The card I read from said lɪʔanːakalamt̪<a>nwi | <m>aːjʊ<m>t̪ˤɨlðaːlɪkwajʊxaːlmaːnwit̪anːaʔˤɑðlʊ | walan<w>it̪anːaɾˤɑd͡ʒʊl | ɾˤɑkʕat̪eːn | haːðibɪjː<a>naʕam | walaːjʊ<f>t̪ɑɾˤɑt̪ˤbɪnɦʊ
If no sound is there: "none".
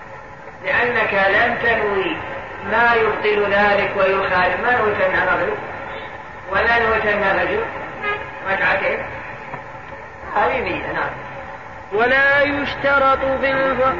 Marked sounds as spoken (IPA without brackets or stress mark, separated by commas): a, m, b, w, a, ʃ